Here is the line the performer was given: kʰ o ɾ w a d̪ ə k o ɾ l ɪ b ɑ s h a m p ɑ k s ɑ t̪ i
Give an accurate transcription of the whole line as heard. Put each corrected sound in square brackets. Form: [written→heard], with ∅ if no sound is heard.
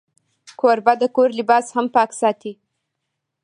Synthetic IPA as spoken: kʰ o ɾ [w→b] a d̪ ə k o ɾ l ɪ b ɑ s h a m p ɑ k s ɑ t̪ i

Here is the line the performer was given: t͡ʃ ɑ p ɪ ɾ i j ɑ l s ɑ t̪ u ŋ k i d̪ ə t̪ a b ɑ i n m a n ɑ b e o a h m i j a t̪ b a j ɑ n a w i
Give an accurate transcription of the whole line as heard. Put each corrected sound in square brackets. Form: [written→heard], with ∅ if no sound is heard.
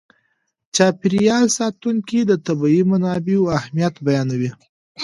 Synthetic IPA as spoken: t͡ʃ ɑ p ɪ ɾ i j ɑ l s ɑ t̪ u ŋ k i d̪ ə t̪ a b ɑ i [n→∅] m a n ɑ b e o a h m i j a t̪ b a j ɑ n a w i

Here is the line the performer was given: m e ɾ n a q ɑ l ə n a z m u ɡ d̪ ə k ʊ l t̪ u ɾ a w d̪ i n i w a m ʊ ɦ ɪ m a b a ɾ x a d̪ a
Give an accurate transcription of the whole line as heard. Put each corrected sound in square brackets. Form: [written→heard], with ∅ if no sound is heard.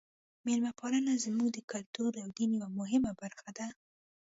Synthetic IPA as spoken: m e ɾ [n→m] a [q→p] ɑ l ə n a z m u ɡ d̪ ə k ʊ l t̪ u ɾ a w d̪ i n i w a m ʊ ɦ ɪ m a b a ɾ x a d̪ a

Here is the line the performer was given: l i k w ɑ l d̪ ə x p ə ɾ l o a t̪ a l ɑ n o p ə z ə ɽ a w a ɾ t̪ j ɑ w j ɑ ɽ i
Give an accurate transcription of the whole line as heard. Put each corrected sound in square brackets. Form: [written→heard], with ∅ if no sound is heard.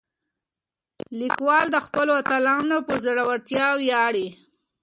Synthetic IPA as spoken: l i k w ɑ l d̪ ə x p ə [ɾ→∅] l o a t̪ a l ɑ n o p ə z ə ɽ a w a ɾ t̪ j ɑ w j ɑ ɽ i

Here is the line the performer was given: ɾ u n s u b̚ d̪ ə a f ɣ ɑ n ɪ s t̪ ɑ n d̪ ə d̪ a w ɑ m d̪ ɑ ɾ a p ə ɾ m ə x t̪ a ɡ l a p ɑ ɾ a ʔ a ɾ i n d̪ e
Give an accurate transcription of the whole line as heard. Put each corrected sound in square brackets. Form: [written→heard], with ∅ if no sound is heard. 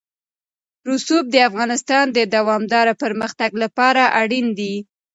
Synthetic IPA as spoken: ɾ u [n→∅] s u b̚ d̪ ə a f ɣ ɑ n ɪ s t̪ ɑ n d̪ ə d̪ a w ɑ m d̪ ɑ ɾ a p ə ɾ m ə x t̪ a ɡ l a p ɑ ɾ a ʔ a [ɾ→ɽ] i n d̪ [e→i]

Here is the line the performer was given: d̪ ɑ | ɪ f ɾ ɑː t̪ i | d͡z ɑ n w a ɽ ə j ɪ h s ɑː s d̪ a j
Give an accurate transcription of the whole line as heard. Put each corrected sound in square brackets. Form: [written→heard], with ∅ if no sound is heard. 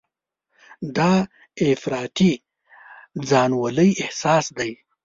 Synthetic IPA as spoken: d̪ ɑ | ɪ f ɾ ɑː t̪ i | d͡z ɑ n w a [ɽ→l] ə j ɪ h s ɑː s d̪ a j

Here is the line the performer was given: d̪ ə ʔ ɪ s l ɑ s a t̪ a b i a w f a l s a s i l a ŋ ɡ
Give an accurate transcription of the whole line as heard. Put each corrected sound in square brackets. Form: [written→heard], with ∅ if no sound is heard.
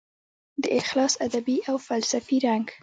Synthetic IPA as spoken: d̪ ə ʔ ɪ [s→x] l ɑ s a [t̪→d̪] a b i a w f a l s a [s→f] i [l→ɾ] a ŋ ɡ

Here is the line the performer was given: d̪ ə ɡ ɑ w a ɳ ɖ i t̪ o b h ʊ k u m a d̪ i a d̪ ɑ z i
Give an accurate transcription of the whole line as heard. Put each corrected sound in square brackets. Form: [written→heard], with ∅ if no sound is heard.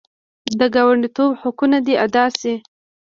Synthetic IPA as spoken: d̪ ə ɡ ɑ w a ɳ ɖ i t̪ o b h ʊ k u [m→n] a d̪ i a d̪ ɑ [z→s] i

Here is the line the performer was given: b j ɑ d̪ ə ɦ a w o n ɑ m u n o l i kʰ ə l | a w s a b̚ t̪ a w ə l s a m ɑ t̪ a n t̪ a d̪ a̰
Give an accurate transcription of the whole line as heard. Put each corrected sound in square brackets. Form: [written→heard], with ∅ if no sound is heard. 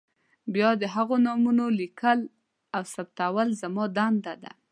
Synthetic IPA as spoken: b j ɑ d̪ ə ɦ a [w→ɣ] o n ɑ m u n o l i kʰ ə l | a w s a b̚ t̪ a w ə l [s→z] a m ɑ [t̪→d̪] a n [t̪→d̪] a d̪ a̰

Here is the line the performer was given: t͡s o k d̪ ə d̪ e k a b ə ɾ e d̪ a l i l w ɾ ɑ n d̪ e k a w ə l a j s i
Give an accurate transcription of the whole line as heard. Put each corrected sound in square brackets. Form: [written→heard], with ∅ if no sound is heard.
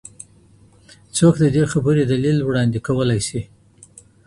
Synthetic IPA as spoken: t͡s o k d̪ ə d̪ e [k→x] a b ə ɾ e d̪ a l i l w [ɾ→ɽ] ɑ n d̪ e k a w ə l a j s i

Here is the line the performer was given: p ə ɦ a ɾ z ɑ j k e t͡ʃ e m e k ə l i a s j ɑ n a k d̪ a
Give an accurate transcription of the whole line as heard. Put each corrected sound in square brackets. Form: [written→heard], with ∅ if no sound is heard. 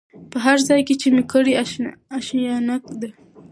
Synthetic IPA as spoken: p ə ɦ a ɾ z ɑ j k e t͡ʃ e m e k ə [l→ɽ] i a [s→ʃ] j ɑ n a k d̪ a

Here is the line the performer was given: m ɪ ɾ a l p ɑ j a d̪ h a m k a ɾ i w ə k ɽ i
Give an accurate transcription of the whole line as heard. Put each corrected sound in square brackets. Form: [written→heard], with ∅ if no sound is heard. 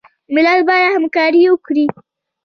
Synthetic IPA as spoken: m ɪ [ɾ→l] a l [p→b] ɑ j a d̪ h a m k [a→ɑ] ɾ i w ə k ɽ i

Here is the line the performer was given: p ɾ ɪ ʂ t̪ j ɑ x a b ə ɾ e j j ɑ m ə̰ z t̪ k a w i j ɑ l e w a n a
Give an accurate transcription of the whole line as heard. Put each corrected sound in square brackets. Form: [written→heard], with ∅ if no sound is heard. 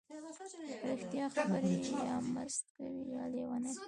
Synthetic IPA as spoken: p ɾ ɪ [ʂ→x] t̪ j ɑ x a b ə ɾ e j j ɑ m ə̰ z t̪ k a w i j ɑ l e w a n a

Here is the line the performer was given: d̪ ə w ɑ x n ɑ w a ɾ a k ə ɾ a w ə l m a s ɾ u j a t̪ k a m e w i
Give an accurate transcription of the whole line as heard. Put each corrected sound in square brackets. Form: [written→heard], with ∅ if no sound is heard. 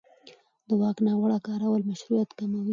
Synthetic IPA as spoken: d̪ ə w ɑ [x→k] n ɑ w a [ɾ→ɽ] a k [ə→ɑ] ɾ a w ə l m a [s→ʃ] ɾ u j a t̪ k a m [e→a] w i

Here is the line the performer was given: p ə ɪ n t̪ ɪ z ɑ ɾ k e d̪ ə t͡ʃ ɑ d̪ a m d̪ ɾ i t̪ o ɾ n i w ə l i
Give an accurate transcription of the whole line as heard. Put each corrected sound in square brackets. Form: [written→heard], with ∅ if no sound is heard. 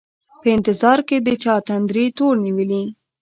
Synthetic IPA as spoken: p ə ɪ n t̪ ɪ z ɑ ɾ k e d̪ ə t͡ʃ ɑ [d̪→t̪] a [m→n] d̪ ɾ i t̪ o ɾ n i w ə l i

